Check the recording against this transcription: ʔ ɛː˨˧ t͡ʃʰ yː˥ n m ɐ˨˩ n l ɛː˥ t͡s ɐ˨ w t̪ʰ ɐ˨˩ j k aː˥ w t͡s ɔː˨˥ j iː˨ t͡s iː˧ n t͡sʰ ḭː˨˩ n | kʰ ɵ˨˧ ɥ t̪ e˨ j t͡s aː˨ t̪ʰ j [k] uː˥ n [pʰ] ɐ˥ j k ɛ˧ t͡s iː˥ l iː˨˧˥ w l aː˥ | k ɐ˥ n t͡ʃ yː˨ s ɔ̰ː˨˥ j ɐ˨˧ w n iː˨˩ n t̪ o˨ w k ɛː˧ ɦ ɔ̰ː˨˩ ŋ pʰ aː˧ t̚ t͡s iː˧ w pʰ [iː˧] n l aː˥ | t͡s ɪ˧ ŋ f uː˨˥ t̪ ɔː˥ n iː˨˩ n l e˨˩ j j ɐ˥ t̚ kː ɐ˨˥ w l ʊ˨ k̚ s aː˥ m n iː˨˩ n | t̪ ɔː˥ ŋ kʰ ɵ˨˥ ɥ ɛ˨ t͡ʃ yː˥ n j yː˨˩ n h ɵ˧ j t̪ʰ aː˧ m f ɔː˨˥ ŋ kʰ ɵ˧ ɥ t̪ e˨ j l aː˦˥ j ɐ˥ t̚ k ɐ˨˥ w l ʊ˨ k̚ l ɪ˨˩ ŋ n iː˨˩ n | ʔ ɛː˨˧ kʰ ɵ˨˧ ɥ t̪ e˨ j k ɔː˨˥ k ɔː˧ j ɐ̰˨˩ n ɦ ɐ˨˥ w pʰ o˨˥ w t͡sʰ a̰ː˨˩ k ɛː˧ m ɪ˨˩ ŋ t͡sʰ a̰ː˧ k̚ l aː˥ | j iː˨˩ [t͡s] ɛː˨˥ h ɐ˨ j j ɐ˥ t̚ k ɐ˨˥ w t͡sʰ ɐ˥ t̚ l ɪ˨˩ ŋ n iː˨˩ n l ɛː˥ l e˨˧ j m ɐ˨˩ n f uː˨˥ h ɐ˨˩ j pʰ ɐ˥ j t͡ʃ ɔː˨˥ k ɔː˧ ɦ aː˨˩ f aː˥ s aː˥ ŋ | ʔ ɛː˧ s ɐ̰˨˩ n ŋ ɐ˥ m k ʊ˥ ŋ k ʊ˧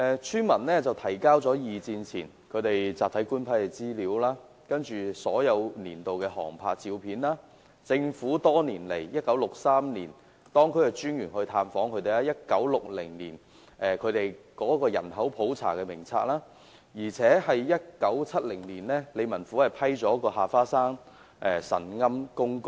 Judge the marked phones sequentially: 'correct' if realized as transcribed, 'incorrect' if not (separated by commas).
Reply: correct, correct, incorrect, incorrect